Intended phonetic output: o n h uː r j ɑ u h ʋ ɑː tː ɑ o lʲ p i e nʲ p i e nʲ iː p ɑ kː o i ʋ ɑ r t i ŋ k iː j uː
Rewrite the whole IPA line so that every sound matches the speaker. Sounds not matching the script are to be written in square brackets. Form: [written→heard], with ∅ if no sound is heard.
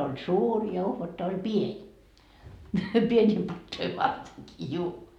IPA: o n [h→s] uː r j ɑ u h ʋ [ɑː→ɑ] tː ɑ o lʲ p i e nʲ p i e nʲ iː p ɑ [kː→tː] o i ʋ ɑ r t [i→e] ŋ k iː j uː